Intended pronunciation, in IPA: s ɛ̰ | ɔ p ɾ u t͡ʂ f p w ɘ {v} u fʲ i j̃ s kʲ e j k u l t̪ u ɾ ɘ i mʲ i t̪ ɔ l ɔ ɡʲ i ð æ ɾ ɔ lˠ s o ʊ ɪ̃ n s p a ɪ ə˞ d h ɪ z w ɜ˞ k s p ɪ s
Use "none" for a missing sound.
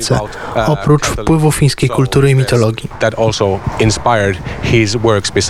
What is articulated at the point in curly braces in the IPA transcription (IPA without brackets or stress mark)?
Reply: v